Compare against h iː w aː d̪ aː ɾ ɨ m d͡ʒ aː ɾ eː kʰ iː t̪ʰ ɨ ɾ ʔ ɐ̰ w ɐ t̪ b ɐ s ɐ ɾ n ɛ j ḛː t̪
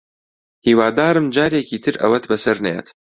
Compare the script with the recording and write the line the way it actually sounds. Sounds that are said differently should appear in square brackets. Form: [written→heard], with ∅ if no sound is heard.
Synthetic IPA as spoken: h iː w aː d̪ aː ɾ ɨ m d͡ʒ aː ɾ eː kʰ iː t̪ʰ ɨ ɾ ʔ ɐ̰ w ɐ t̪ b ɐ s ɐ ɾ n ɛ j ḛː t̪